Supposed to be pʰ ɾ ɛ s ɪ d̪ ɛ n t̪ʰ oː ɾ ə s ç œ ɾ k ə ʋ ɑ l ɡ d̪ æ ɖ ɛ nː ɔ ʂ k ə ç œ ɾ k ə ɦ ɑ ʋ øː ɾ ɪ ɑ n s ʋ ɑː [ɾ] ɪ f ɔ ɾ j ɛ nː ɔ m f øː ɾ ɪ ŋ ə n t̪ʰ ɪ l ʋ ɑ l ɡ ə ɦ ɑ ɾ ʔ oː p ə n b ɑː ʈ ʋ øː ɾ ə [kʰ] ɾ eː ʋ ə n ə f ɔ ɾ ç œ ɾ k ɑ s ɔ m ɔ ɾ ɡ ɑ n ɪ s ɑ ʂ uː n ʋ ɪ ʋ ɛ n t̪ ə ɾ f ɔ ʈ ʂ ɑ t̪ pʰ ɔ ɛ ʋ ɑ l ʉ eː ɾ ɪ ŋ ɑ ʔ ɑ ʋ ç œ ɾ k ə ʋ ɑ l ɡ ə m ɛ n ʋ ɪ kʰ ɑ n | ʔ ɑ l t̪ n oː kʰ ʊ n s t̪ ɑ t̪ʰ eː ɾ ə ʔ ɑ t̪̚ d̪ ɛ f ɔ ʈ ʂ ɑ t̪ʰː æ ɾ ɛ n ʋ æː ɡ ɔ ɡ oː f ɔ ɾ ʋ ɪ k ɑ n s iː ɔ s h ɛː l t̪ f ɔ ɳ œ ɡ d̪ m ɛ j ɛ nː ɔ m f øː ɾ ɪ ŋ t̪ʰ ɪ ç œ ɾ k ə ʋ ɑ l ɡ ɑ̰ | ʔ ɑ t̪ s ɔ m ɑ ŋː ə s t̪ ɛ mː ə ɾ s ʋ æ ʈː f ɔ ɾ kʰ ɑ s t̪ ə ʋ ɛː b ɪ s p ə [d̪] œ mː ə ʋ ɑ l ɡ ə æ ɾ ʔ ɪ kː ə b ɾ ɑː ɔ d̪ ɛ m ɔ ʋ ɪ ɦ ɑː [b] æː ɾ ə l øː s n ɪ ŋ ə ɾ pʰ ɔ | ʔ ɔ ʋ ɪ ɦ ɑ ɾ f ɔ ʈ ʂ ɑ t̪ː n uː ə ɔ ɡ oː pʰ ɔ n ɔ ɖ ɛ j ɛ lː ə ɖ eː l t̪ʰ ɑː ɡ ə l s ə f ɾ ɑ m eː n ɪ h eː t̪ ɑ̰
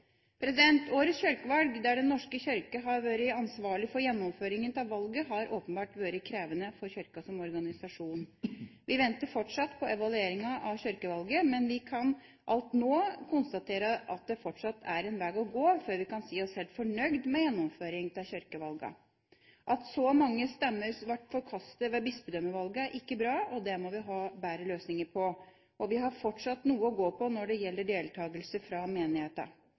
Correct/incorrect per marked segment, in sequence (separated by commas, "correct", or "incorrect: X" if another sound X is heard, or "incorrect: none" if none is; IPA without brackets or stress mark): incorrect: ɭ, correct, correct, correct